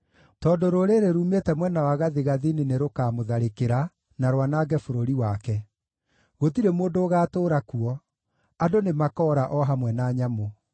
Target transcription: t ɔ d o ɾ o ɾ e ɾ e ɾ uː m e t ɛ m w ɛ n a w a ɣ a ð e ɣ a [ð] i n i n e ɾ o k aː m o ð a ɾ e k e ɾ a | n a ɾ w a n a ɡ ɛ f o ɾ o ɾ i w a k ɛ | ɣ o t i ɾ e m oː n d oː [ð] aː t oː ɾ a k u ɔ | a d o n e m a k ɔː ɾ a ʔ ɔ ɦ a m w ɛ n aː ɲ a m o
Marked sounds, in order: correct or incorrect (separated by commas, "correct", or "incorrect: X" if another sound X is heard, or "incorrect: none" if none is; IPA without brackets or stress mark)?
correct, incorrect: ɣ